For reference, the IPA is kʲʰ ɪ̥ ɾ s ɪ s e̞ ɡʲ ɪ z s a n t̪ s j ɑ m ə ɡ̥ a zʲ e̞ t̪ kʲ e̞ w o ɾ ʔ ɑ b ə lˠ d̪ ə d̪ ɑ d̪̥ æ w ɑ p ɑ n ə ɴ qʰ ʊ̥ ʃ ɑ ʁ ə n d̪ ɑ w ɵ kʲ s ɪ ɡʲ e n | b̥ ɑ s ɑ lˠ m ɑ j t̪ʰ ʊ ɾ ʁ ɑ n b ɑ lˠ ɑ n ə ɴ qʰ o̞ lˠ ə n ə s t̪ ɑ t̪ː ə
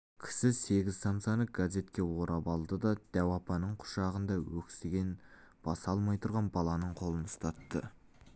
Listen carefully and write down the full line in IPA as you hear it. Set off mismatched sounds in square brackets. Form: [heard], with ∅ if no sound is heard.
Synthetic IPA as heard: kʲʰ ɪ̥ [∅] s ɪ s e̞ ɡʲ ɪ z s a n t̪ s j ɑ [n] ə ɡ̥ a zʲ e̞ t̪ kʲ e̞ w o ɾ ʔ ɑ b [ɑ] lˠ d̪ ə d̪ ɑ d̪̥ æ w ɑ p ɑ n ə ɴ qʰ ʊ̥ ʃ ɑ ʁ ə n d̪ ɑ w ɵ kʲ s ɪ ɡʲ e n | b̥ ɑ s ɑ lˠ m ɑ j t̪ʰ ʊ ɾ ʁ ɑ n b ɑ lˠ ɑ n ə ɴ qʰ o̞ lˠ ə n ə s t̪ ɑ t̪ː ə